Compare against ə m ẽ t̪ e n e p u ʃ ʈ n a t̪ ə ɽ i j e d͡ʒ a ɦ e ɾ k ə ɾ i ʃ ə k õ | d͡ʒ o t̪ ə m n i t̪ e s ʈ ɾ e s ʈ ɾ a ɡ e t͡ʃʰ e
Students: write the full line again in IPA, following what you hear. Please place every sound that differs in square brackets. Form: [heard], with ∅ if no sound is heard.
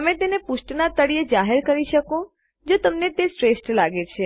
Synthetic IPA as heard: ə m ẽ t̪ e n e p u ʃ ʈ n a t̪ ə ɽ i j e d͡ʒ a ɦ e ɾ k ə ɾ i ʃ ə k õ | d͡ʒ o t̪ ə m n [e] t̪ e s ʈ ɾ e s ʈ [l] a ɡ e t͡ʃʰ e